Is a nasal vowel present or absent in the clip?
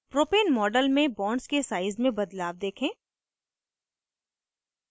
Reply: present